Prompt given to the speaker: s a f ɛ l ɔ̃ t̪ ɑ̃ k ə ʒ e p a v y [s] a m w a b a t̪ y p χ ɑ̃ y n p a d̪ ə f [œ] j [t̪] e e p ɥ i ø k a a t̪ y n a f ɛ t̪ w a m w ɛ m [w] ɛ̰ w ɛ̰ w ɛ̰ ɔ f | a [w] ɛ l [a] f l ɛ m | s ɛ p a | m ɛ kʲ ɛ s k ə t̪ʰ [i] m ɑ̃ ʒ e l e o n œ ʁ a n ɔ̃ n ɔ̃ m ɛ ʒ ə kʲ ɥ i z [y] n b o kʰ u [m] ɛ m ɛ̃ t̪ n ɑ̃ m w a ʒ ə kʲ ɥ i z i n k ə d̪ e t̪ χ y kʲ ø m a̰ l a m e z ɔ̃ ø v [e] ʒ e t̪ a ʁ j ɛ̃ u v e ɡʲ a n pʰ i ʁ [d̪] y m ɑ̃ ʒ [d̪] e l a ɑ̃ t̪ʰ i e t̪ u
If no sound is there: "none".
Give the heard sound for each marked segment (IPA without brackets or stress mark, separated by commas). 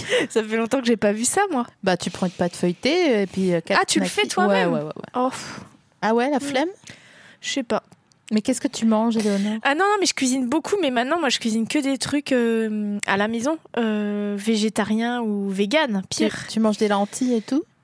s, œ, t̪, w, w, a, y, i, m, e, t̪, d̪